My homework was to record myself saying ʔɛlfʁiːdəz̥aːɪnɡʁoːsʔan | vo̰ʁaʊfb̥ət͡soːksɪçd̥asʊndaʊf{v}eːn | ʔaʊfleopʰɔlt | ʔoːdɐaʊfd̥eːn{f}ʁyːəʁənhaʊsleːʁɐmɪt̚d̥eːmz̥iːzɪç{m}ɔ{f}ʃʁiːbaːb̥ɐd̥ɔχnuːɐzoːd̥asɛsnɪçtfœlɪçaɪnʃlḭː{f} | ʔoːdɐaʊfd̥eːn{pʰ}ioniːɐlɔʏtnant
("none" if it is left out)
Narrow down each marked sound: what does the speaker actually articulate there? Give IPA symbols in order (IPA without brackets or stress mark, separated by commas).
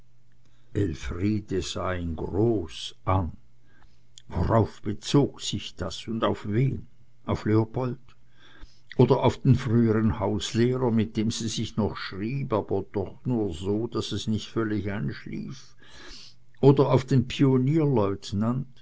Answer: v, f, n, χ, f, pʰ